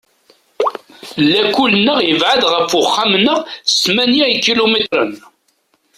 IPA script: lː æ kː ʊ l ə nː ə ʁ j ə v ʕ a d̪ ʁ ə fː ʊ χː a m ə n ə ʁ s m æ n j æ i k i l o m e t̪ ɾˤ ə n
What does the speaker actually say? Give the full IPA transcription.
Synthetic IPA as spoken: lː æ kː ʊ l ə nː ə ʁ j ə v ʕ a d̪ ʁ ə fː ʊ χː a m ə n ə ʁ s m æ n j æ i k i l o m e t̪ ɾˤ ə n